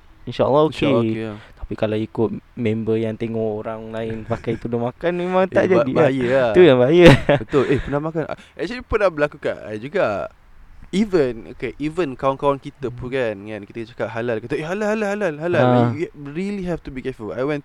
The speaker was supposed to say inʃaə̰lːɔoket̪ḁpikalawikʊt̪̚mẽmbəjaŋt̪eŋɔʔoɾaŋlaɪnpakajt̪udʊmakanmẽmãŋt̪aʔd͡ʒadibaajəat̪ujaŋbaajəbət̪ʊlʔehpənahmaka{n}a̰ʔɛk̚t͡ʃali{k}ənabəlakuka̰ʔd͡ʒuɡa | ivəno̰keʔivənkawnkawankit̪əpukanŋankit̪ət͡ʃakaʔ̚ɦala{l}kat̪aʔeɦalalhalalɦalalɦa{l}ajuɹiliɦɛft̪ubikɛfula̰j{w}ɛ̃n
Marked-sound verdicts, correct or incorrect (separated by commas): correct, incorrect, correct, correct, correct